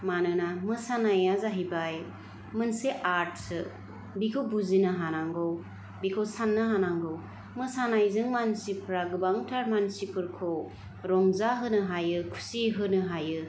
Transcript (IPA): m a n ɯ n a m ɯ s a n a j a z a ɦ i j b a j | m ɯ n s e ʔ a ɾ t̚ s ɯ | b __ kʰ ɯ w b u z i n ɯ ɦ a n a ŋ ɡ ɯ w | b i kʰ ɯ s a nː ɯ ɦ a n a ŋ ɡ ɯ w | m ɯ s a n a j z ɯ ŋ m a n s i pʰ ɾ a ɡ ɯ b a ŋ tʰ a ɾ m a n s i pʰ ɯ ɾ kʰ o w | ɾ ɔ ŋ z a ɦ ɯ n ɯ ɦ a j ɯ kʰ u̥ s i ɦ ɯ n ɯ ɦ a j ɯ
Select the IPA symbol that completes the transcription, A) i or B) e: A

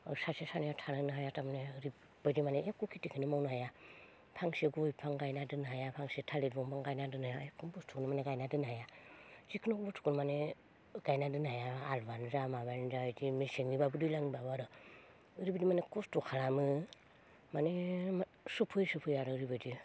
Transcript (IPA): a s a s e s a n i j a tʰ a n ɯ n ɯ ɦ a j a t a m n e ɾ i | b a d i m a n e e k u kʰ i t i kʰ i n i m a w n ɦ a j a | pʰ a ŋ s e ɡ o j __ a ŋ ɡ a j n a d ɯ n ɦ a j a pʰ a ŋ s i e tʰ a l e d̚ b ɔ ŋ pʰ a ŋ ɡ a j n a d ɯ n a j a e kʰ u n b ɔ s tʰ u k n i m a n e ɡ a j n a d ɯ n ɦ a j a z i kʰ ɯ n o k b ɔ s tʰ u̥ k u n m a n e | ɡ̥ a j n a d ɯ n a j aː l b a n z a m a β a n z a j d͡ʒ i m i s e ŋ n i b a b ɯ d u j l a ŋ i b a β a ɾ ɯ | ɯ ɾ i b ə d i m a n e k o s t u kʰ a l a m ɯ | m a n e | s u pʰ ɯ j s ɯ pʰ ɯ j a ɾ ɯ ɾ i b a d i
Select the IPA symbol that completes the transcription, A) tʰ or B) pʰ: B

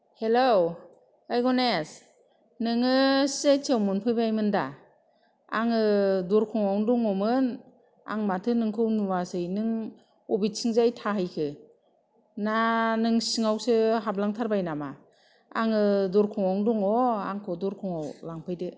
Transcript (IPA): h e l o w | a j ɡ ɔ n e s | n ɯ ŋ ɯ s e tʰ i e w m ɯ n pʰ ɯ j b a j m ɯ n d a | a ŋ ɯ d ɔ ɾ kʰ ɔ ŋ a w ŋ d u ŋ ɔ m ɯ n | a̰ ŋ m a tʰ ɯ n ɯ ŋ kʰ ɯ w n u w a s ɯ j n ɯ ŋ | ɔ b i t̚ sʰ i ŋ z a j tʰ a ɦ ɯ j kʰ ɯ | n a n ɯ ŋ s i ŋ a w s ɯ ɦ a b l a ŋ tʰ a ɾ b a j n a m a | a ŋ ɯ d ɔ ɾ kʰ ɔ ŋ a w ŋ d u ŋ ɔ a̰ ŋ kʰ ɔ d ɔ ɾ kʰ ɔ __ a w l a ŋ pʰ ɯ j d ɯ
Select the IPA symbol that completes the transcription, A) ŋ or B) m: A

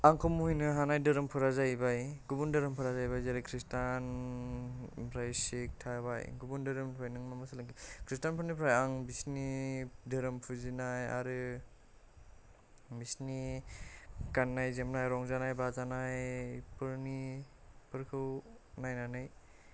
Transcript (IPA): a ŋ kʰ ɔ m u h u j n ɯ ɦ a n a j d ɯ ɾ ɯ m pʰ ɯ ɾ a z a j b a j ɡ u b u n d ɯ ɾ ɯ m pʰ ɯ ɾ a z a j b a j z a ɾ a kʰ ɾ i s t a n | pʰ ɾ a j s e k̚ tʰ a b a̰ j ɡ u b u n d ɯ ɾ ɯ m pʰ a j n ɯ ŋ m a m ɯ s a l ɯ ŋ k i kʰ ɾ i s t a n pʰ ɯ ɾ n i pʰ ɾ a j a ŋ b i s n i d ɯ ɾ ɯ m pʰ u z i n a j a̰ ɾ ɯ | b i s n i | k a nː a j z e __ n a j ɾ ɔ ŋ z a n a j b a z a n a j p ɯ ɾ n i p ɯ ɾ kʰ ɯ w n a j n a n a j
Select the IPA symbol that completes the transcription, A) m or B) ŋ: A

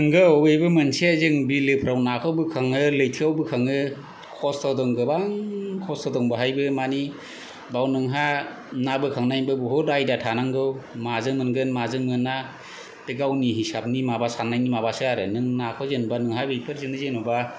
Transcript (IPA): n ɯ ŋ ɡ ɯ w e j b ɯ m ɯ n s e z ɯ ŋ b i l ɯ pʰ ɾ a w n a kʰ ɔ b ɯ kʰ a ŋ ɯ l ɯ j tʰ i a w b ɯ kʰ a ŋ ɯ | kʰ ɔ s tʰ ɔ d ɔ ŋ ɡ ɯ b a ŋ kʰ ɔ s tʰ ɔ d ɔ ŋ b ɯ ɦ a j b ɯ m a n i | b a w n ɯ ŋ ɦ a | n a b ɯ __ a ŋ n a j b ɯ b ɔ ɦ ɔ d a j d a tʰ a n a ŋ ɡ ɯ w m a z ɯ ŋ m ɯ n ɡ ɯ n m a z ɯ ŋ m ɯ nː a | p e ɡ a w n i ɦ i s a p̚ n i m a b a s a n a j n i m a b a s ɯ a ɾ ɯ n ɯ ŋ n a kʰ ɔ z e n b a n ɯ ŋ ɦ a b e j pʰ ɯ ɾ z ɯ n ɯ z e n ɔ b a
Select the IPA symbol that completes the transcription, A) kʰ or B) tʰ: A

